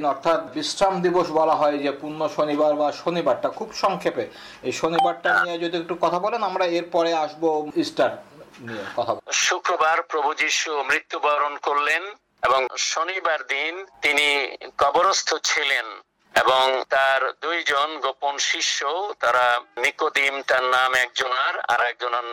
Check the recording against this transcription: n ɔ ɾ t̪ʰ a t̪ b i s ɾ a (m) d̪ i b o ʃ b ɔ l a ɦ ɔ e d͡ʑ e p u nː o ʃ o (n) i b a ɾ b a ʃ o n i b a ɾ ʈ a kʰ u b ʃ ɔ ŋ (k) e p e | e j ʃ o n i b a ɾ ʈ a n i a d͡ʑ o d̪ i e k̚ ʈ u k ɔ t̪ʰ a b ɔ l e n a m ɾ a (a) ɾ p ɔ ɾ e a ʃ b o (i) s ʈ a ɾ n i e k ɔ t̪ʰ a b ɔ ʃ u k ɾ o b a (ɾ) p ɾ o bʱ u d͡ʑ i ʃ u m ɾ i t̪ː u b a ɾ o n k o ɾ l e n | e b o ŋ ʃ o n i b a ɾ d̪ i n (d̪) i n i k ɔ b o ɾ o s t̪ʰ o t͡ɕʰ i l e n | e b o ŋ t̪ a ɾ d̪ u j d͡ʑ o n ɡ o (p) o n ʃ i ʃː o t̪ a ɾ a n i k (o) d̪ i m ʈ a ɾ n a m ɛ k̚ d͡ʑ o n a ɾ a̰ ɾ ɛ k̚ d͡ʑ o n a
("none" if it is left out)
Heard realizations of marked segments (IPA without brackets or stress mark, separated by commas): m, n, kʰ, e, i, ɾ, t̪, p, o